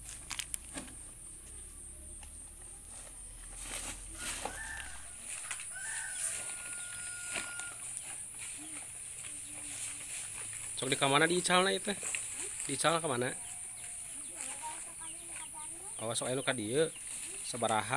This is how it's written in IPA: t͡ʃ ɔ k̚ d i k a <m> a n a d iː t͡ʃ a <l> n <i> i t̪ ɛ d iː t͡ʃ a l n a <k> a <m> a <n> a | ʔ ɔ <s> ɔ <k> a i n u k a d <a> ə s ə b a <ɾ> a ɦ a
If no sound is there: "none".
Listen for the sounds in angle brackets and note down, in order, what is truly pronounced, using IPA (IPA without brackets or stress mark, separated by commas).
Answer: m, l, a, k, m, n, s, k, i, ɾ